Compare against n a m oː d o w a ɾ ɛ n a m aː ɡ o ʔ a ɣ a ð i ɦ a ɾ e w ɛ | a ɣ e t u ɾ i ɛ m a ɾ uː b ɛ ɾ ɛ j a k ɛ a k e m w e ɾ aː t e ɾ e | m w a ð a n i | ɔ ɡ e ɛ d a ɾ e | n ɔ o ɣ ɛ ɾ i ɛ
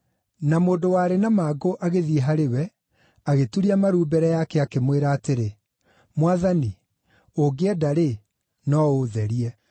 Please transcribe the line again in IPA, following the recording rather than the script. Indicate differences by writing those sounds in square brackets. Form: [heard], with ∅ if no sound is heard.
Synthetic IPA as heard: n a m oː d o w a ɾ [e] n a m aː ɡ o ʔ a ɣ [e] ð i ɦ a ɾ e w ɛ | a ɣ e t u ɾ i [a] m a ɾ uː b ɛ ɾ ɛ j a k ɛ a k e m w e ɾ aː t e ɾ e | m w a ð a n i | [o] ɡ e ɛ d a ɾ e | n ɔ o [ð] ɛ ɾ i ɛ